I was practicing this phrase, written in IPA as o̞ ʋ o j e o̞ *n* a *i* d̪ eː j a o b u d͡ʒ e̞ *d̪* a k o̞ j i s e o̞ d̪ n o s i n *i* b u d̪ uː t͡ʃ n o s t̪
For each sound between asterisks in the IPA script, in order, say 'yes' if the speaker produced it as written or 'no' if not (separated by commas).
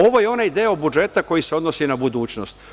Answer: yes, yes, no, no